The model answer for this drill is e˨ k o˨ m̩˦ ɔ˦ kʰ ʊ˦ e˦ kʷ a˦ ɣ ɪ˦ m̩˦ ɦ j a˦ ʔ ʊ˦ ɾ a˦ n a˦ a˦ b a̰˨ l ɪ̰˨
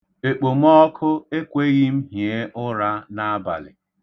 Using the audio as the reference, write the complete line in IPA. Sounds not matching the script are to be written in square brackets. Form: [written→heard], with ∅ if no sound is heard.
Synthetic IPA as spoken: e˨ [k→k͡p] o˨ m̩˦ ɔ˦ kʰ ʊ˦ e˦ kʷ [a˦→e˦] ɣ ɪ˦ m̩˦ ɦ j [a˦→e˦] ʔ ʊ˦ ɾ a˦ n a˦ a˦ b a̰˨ l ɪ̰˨